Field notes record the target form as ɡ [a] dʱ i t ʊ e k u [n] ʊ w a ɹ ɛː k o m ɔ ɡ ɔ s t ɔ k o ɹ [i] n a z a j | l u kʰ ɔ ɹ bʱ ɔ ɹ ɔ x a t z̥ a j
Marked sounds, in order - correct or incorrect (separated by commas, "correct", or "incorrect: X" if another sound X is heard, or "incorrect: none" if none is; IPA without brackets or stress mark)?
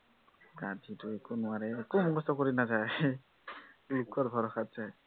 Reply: correct, correct, correct